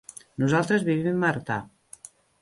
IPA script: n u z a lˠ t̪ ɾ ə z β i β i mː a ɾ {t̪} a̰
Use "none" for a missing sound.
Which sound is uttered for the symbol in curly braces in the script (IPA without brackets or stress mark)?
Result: t̪